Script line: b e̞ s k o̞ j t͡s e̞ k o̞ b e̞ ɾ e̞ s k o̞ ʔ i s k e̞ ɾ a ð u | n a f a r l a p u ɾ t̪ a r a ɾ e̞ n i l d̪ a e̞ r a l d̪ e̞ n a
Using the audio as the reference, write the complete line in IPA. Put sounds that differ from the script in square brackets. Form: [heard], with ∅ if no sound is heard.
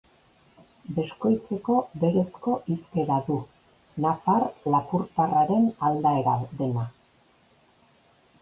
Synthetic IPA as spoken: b e̞ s k o̞ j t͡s e̞ k o̞ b e̞ ɾ e̞ s k o̞ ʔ i s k e̞ ɾ a ð u | n a f a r l a p u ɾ t̪ a r a ɾ e̞ n [a] l d̪ a e̞ [ɾ] a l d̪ e̞ n a